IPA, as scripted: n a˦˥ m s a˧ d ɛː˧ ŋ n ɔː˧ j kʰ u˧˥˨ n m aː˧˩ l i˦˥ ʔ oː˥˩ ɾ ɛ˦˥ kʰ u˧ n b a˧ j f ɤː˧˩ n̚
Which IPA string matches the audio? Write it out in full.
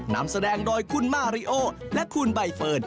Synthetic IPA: n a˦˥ m s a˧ d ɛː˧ ŋ d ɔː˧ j kʰ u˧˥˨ n m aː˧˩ ɾ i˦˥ ʔ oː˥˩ l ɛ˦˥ kʰ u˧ n b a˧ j f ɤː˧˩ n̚